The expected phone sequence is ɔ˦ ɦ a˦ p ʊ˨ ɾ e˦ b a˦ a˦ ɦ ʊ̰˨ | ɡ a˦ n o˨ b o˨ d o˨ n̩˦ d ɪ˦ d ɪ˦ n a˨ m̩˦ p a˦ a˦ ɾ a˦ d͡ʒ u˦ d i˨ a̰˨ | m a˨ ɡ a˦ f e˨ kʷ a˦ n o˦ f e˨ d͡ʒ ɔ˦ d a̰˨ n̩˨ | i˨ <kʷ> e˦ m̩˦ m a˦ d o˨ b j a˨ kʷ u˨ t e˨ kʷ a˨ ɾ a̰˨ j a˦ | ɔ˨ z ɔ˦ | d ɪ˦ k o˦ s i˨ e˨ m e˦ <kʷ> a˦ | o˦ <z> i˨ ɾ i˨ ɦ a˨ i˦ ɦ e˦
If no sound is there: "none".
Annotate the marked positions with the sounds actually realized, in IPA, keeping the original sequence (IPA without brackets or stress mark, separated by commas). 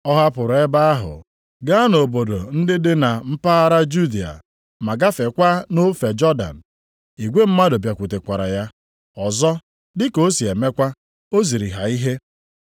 ɡʷ, kʷ, z